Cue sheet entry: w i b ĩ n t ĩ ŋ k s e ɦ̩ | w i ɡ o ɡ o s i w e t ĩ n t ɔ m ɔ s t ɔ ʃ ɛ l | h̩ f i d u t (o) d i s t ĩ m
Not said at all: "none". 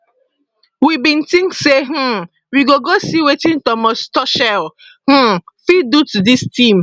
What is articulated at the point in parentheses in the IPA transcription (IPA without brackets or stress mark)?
u